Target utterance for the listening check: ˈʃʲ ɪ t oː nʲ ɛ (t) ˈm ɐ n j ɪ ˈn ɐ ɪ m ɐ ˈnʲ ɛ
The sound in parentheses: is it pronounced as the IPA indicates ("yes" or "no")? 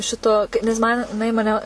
no